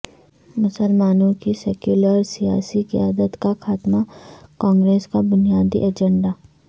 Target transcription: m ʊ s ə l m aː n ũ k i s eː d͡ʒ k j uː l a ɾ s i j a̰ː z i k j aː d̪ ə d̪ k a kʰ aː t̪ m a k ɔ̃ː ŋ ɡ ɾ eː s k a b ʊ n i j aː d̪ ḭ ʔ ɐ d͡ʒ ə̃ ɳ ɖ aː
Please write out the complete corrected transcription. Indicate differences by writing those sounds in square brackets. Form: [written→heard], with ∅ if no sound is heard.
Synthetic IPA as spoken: m ʊ s ə l m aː n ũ k i s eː [d͡ʒ→∅] k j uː l [a→ə] ɾ s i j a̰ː [z→s] i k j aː d̪ ə [d̪→t̪] k a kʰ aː t̪ m a k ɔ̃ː ŋ ɡ ɾ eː s k a b ʊ n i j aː d̪ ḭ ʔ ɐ d͡ʒ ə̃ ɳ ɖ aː